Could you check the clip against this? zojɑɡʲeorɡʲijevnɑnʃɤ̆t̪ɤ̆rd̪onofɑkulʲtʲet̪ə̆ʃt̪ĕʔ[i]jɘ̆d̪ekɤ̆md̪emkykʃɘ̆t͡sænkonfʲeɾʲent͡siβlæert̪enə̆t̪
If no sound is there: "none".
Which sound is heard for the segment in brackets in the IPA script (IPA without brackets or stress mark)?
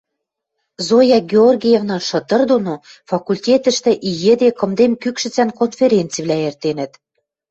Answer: i